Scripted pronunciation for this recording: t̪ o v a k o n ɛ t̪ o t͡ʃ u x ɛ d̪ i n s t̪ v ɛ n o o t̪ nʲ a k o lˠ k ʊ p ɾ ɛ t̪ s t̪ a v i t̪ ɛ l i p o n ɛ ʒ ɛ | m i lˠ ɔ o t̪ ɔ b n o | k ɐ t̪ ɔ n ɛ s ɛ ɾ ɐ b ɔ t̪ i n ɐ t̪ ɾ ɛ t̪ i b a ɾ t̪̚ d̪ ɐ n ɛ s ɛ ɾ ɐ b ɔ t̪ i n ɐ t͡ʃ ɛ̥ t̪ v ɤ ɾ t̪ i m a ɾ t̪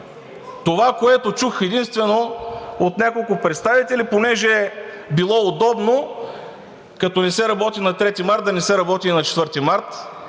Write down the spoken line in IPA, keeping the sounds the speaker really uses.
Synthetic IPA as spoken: t̪ o v a k o ɛ t̪ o t͡ʃ u x ɛ d̪ i n s t̪ v ɛ n o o t̪ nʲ a k o lˠ k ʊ p ɾ ɛ t̪ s t̪ a v i t̪ ɛ l i p o n ɛ ʒ ɛ | b i lˠ ɔ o d̪ ɔ b n o | k ɐ t̪ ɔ n ɛ s ɛ ɾ ɐ b ɔ t̪ i n ɐ t̪ ɾ ɛ t̪ i m a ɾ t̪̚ d̪ ɐ n ɛ s ɛ ɾ ɐ b ɔ t̪ i n ɐ t͡ʃ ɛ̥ t̪ v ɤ ɾ t̪ i m a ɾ t̪